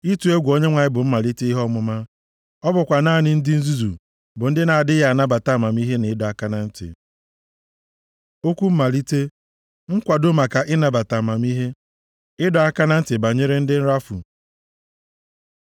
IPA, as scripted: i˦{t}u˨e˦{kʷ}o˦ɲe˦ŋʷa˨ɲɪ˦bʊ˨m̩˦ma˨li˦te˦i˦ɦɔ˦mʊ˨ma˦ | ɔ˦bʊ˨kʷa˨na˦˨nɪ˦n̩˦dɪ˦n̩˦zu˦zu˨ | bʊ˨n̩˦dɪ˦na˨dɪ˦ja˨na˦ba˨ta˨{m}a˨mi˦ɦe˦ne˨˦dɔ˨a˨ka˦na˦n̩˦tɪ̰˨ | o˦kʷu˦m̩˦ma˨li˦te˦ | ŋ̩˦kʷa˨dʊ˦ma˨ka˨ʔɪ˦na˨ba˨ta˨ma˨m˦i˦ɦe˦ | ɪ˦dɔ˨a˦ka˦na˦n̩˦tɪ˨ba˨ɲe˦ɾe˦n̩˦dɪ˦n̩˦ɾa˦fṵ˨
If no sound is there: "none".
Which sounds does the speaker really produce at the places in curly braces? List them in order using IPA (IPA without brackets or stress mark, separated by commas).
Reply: t, ɡʷ, m